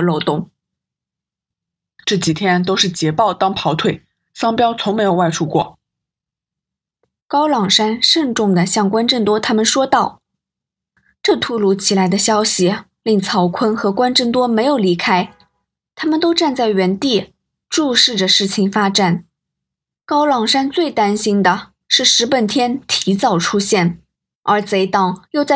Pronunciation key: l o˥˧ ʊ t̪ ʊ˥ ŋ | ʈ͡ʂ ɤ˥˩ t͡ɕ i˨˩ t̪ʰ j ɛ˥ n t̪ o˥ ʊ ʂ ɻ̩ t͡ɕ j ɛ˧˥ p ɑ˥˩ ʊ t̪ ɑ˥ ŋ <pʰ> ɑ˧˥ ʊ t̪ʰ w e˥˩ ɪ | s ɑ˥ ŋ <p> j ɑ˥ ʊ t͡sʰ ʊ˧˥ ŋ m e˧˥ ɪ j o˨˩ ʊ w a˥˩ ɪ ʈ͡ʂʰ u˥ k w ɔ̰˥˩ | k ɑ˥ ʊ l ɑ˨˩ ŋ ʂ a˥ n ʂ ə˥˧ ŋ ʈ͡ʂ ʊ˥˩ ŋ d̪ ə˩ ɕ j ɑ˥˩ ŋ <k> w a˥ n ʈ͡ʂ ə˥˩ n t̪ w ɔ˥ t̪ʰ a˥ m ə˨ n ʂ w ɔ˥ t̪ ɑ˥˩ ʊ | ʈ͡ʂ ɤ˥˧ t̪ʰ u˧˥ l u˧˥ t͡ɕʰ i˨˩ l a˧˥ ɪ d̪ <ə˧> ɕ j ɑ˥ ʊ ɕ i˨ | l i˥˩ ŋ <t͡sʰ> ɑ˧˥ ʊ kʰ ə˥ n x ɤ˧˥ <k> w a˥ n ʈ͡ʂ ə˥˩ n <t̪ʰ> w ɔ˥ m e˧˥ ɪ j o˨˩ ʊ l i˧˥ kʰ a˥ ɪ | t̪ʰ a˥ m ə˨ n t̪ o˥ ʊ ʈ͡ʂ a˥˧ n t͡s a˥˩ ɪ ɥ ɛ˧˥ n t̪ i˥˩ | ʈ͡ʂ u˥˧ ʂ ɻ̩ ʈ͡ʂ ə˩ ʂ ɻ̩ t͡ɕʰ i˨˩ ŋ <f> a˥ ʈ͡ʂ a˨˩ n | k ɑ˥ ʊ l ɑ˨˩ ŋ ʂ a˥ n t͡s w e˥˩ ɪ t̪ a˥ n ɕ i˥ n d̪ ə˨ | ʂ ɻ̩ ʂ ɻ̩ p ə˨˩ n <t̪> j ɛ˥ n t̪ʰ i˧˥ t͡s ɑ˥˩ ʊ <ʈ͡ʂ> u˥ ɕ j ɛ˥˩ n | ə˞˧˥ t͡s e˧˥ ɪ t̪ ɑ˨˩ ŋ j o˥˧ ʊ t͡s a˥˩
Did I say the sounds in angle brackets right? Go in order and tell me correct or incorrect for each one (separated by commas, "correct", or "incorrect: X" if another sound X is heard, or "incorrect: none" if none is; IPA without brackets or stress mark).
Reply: correct, correct, correct, correct, correct, correct, incorrect: t̪, correct, incorrect: t̪ʰ, incorrect: ʈ͡ʂʰ